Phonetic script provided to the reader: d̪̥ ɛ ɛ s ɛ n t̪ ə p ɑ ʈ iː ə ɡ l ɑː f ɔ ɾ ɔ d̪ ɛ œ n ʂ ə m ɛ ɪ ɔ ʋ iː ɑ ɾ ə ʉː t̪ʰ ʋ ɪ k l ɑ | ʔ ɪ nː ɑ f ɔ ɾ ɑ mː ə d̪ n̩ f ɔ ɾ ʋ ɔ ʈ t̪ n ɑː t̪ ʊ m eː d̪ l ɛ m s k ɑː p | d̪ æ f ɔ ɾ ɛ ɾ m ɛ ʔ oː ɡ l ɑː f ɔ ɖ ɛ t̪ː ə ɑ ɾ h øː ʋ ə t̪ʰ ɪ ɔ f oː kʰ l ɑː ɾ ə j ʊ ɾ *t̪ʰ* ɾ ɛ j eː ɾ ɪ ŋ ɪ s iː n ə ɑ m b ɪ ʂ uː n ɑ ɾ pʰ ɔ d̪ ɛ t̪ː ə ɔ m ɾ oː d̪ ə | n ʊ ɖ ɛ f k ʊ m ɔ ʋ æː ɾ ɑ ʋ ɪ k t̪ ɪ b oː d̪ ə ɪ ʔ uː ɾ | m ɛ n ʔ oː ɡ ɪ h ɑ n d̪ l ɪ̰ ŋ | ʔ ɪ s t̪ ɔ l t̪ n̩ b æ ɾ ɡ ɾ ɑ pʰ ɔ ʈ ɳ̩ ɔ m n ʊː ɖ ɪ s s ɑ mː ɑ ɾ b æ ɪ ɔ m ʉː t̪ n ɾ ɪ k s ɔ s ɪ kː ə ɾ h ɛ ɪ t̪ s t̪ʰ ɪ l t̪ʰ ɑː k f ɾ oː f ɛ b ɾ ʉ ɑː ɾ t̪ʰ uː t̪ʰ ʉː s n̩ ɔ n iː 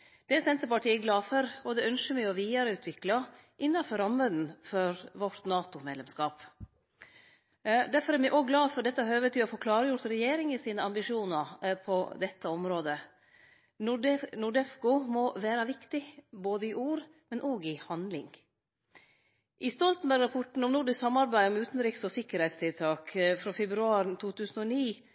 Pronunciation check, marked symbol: incorrect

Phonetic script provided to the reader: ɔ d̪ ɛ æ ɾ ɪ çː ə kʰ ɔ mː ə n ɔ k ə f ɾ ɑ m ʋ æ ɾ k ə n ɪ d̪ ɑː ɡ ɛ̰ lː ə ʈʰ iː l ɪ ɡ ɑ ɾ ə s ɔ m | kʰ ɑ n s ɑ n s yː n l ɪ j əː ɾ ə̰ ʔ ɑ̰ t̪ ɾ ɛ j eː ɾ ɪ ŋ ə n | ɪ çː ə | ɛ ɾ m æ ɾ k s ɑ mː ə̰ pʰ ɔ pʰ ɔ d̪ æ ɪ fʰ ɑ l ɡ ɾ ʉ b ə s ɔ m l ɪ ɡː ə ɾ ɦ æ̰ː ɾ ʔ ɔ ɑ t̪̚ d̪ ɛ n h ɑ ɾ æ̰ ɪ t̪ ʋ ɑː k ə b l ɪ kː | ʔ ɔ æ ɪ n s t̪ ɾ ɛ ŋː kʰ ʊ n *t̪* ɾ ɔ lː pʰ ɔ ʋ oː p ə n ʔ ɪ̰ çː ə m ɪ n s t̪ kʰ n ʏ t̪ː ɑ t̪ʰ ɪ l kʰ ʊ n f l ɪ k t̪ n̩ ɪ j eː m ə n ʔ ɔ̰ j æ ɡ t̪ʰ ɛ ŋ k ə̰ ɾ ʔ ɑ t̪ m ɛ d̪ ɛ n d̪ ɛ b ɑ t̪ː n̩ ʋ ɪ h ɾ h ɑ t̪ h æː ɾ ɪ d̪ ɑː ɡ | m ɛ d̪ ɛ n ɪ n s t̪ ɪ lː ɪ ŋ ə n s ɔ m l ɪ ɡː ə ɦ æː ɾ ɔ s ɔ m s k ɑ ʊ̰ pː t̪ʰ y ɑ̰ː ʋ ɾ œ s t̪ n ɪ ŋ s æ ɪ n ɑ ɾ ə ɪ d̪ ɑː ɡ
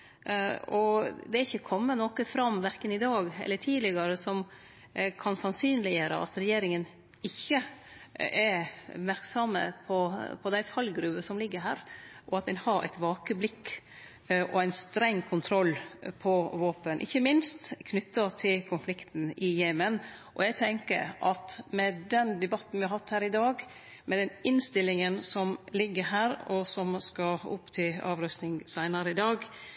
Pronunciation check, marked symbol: incorrect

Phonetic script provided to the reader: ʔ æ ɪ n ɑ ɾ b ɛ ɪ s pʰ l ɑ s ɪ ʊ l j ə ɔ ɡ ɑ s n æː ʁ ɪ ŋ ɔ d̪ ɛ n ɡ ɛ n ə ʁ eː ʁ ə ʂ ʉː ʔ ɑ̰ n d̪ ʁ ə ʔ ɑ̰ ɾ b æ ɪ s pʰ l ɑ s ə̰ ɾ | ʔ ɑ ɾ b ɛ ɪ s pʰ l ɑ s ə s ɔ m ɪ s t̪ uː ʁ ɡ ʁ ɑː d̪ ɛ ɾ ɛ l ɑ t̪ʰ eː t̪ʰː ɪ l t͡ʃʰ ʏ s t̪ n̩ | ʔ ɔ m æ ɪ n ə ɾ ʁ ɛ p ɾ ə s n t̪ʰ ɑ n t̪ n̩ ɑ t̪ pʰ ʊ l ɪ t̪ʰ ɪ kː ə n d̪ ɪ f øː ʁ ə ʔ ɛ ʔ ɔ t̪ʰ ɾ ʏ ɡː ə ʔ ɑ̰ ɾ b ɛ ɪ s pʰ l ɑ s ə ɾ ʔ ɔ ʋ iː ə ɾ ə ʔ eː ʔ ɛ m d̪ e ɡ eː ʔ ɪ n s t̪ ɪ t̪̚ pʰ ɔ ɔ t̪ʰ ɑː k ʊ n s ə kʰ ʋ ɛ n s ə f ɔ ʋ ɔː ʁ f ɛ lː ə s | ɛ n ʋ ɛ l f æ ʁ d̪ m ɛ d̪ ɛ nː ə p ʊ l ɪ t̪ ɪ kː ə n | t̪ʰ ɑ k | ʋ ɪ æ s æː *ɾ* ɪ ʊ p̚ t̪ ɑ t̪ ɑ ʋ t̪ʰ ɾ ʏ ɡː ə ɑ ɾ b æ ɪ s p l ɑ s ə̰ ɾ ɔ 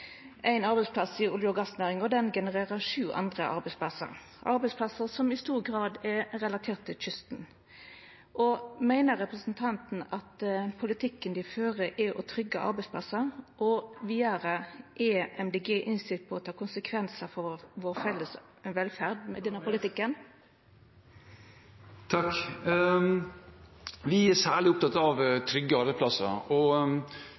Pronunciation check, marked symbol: incorrect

